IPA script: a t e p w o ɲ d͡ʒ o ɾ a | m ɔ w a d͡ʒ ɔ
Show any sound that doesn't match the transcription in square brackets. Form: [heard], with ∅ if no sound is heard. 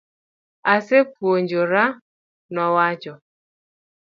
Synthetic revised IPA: a [s] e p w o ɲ d͡ʒ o ɾ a | [n] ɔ w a d͡ʒ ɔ